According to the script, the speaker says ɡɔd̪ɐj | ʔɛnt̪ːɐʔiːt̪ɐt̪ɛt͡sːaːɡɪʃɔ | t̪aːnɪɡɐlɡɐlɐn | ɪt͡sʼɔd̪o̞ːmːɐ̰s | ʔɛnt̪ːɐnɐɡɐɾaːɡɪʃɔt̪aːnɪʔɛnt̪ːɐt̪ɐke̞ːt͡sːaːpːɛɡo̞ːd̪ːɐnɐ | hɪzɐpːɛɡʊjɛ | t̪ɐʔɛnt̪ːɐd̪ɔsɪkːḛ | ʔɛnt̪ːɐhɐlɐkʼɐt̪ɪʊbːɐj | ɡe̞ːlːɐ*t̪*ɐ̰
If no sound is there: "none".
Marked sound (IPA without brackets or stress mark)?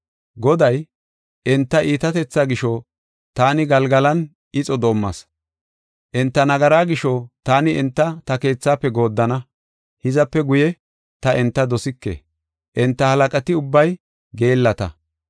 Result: t̪